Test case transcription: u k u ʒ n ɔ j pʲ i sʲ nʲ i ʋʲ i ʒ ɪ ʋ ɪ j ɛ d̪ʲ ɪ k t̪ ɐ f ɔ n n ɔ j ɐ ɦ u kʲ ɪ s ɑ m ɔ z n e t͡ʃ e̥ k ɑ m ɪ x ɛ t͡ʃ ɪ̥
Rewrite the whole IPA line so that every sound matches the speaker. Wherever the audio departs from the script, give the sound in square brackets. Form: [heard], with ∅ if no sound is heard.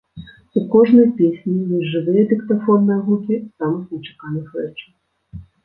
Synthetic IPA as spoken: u k [ɔ] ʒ n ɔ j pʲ i sʲ nʲ i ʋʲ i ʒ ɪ ʋ ɪ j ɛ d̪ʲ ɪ k t̪ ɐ f ɔ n n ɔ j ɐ ɦ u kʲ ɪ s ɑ m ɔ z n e t͡ʃ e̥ k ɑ [n] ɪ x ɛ t͡ʃ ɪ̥